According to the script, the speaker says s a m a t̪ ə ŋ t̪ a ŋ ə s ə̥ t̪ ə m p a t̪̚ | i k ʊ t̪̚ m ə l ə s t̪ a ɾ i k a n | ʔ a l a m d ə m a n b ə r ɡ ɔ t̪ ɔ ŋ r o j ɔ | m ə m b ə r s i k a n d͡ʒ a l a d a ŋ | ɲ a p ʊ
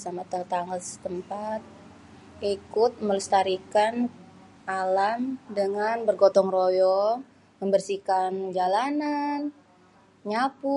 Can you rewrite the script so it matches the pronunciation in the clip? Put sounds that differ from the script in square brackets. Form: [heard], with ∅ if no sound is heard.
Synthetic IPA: s a m a t̪ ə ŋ t̪ a ŋ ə s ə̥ t̪ ə m p a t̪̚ | i k ʊ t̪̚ m ə l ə s t̪ a ɾ i k a n | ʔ a l a m d ə [ŋ] a n b ə r ɡ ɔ t̪ ɔ ŋ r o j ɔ | m ə m b ə r s i k a n d͡ʒ a l a [n] a [n] | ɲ a p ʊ